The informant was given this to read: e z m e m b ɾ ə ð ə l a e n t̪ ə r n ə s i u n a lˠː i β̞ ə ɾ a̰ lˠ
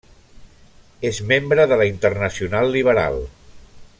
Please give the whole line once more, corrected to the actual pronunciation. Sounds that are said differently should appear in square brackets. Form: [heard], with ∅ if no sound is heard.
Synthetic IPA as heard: e z m e m b ɾ ə ð ə l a [i] n t̪ ə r n ə s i u n a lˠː i β̞ ə ɾ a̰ lˠ

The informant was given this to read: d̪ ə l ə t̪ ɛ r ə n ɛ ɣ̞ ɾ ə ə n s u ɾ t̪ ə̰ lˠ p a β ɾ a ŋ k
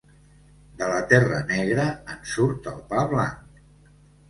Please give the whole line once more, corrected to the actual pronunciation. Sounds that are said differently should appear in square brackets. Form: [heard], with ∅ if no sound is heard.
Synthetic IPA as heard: d̪ ə l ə t̪ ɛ r ə n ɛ ɣ̞ ɾ ə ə n s u ɾ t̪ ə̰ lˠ p a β [l] a ŋ k

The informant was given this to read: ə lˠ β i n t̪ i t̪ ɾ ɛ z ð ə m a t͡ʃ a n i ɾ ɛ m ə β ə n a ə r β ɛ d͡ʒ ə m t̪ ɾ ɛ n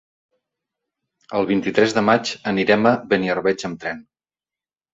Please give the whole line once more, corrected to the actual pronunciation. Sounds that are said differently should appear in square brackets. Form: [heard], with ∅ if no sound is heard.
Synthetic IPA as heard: ə lˠ β i n t̪ i t̪ ɾ ɛ z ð ə m a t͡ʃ [ə] n i ɾ ɛ m ə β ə n [i] ə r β ɛ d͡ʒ ə m t̪ ɾ ɛ n

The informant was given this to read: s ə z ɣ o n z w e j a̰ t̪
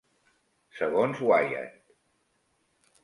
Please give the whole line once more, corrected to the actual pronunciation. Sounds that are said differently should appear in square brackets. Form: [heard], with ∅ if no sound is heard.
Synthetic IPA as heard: s ə [∅] ɣ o n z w [a] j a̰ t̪

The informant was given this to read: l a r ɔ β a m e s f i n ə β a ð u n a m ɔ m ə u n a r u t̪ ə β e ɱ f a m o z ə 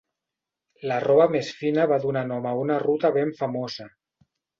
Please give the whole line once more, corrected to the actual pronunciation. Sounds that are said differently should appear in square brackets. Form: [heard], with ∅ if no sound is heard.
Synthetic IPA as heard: l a r ɔ β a m e s f i n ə β a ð u n a [n] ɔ m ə u n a r u t̪ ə β e ɱ f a m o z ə

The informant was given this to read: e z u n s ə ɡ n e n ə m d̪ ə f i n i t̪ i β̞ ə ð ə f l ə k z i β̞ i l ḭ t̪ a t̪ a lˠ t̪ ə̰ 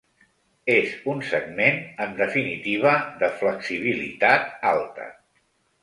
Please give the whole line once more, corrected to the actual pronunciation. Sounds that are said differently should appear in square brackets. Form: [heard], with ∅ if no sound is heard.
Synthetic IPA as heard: e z u n s ə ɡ [m] e n ə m d̪ ə f i n i t̪ i β̞ ə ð ə f l ə k [s] i β̞ i l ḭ t̪ a t̪ a lˠ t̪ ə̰

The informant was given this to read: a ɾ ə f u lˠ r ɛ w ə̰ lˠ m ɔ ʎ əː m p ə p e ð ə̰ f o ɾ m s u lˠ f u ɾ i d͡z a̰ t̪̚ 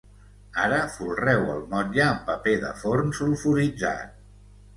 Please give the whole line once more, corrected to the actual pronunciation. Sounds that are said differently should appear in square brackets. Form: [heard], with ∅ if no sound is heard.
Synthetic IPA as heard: a ɾ ə f u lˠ r ɛ w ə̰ lˠ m ɔ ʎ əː m p ə p e ð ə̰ f o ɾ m s u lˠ f u ɾ i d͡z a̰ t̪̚

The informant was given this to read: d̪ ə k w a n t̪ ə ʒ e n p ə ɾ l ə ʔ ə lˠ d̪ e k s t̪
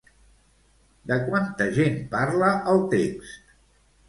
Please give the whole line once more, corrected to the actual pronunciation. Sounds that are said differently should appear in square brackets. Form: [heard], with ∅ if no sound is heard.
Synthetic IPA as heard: d̪ ə k w a n t̪ ə ʒ e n p [a] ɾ l ə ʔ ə lˠ [t̪] e k s t̪

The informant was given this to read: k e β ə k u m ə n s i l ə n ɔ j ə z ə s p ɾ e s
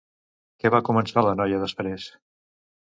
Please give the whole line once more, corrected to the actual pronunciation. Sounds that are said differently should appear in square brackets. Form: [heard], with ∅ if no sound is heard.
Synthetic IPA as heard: k [ɛ] β [a] k u m ə n s [a] l ə n ɔ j ə [ð] ə s p ɾ e s

